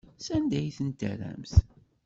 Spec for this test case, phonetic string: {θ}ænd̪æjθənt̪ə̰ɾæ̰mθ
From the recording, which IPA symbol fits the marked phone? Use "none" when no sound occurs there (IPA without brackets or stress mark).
s